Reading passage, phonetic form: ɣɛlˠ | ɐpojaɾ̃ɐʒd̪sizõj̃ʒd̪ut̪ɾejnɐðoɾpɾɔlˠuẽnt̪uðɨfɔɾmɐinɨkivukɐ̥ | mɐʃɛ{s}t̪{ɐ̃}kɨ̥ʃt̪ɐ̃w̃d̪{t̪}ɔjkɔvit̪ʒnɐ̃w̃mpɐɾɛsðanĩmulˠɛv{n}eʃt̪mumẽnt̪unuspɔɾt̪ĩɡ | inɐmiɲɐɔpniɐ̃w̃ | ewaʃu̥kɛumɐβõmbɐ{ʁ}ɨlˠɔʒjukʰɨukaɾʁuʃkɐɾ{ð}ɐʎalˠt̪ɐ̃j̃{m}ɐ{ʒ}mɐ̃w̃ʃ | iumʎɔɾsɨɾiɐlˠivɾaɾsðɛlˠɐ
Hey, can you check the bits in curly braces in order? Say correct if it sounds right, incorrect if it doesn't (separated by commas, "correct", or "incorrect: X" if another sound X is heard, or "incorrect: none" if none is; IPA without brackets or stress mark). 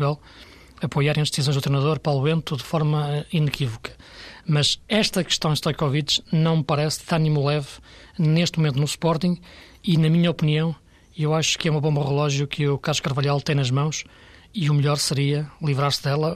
incorrect: ʃ, incorrect: ɐ, correct, correct, correct, incorrect: v, incorrect: n, correct